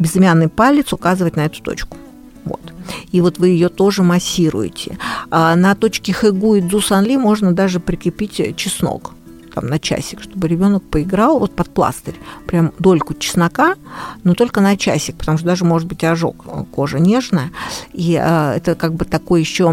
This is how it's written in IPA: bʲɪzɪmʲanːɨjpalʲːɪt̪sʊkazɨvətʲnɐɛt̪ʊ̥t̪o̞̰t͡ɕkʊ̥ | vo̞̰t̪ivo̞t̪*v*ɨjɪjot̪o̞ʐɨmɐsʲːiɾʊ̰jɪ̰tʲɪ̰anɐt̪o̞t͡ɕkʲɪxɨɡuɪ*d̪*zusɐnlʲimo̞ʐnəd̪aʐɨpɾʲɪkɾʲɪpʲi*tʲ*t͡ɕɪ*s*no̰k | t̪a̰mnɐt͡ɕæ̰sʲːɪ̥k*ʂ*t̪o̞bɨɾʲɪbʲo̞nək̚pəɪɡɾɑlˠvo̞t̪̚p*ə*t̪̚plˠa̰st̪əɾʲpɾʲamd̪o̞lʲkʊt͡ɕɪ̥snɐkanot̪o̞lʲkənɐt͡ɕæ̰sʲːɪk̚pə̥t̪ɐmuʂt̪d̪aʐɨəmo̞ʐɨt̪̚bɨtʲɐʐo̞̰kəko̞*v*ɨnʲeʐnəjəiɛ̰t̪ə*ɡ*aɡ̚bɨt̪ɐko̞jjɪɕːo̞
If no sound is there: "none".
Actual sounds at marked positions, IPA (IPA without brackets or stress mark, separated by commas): v, d̪, tʲ, s, ʂ, ɐ, ʐ, k